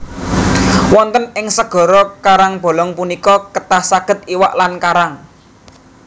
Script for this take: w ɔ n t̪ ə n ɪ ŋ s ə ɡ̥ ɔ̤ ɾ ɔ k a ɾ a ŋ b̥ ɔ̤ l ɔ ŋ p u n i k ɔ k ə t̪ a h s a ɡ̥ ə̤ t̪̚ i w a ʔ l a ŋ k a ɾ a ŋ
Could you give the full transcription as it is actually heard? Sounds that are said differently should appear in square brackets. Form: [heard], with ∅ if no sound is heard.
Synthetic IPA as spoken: w ɔ n t̪ ə n ɪ ŋ s ə ɡ̥ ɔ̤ ɾ ɔ k a ɾ a ŋ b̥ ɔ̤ l ɔ ŋ p u n i k ɔ k ə t̪ a h s a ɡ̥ ə̤ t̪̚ i w a ʔ l a [n] k a ɾ a ŋ